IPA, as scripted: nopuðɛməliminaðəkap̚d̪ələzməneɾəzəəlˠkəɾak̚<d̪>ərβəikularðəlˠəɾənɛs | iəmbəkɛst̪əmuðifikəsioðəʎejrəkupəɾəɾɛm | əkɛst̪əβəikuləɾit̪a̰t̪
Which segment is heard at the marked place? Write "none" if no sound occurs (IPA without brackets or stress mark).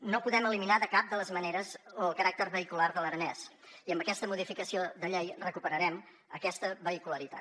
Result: t̪